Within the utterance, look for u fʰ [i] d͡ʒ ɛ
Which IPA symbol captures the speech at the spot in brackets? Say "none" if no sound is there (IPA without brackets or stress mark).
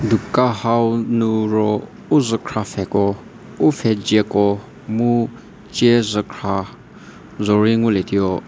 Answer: ɛ